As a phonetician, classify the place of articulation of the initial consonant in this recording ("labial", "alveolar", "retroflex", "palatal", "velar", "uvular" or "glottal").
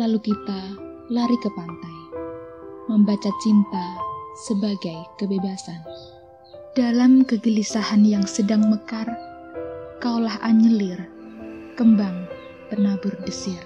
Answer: alveolar